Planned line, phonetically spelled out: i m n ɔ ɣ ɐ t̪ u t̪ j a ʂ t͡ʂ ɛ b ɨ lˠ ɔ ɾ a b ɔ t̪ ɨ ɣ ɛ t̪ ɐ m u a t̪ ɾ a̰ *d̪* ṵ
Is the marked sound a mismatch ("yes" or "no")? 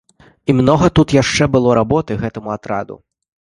no